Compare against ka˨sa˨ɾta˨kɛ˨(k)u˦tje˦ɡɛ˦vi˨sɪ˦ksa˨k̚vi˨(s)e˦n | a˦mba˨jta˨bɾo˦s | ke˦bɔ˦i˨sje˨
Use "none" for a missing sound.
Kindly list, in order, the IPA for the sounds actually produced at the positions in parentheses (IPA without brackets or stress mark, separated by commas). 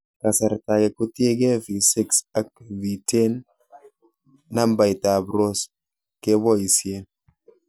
k, t